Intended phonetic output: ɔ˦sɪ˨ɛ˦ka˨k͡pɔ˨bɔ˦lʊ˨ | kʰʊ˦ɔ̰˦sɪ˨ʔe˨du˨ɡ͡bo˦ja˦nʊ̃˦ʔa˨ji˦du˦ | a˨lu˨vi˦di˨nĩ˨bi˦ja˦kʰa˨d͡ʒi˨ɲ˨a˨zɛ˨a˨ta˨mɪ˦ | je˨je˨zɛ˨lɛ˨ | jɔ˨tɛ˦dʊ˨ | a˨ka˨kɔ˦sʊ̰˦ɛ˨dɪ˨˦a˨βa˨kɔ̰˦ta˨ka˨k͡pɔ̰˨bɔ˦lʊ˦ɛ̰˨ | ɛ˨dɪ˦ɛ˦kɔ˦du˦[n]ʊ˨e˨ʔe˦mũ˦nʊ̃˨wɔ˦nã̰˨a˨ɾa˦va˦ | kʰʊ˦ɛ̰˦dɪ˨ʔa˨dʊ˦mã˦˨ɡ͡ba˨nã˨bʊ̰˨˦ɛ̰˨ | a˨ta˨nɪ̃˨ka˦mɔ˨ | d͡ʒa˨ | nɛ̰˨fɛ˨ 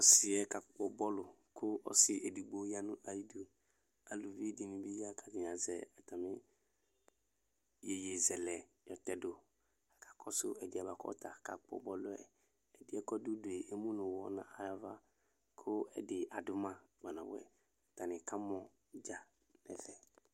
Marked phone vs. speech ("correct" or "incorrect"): incorrect